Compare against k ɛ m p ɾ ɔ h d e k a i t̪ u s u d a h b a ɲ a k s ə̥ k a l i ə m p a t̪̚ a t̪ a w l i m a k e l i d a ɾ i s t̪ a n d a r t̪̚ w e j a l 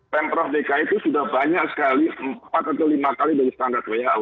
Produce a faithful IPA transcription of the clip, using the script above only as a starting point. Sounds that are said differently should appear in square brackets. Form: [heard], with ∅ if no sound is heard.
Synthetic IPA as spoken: [p] ɛ m p ɾ ɔ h d e k a i t̪ u s u d a h b a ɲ a k s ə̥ k a l i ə m p a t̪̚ a t̪ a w l i m a k [a] l i d a ɾ i s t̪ a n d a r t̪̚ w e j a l

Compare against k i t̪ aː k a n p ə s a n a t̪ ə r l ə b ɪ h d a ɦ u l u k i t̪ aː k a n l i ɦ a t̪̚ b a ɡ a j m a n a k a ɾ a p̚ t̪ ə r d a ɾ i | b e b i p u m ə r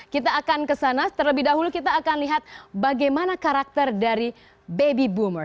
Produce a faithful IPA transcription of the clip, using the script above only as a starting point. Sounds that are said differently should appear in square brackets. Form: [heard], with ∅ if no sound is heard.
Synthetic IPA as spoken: k i t̪ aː k a n [k] ə s a n a t̪ ə r l ə b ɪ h d a ɦ u l u k i t̪ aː k a n l i ɦ a t̪̚ b a ɡ a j m a n a k a ɾ a [k̚] t̪ ə r d a ɾ i | b e b i [b] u m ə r

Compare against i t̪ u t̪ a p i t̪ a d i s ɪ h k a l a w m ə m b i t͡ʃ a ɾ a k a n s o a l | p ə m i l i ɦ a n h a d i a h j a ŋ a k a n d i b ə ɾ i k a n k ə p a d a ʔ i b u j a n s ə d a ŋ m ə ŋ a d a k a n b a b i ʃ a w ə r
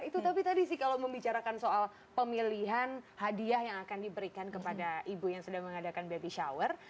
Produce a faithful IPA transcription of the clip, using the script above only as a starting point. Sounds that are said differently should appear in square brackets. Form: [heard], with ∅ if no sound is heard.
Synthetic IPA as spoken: i t̪ u t̪ a p i t̪ a d i s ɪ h k a l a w m ə m b i t͡ʃ a ɾ a k a n s o a l | p ə m i l i ɦ a n h a d i a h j a ŋ a k a n d i b ə ɾ i k a n k ə p a d a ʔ i b u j a [ŋ] s ə d a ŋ m ə ŋ a d a k a n b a b i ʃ a w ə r

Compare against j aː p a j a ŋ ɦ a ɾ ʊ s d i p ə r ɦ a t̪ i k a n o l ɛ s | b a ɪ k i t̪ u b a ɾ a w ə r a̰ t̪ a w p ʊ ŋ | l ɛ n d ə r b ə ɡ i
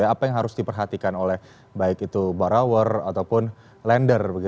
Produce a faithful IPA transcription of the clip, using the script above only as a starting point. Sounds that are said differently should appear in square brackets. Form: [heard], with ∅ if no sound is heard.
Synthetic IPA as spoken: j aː p a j a ŋ ɦ a ɾ ʊ s d i p ə r ɦ a t̪ i k a n o l ɛ [h] | b a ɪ k i t̪ u b a ɾ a w ə r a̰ t̪ a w p ʊ [n] | l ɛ n d ə r b ə ɡ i

